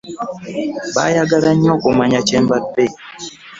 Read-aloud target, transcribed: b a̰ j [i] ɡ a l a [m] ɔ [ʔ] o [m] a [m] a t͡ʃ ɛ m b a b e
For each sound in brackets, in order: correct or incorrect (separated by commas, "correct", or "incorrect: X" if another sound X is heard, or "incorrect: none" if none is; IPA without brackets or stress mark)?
incorrect: a, incorrect: ɲ, incorrect: k, correct, incorrect: ɲ